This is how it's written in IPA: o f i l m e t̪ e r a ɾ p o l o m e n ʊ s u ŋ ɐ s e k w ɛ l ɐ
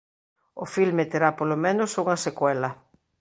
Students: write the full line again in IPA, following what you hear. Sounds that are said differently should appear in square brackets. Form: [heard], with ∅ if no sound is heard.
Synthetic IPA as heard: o f i l m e t̪ e [ɾ] a [∅] p o l o m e n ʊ s u ŋ ɐ s e k w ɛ l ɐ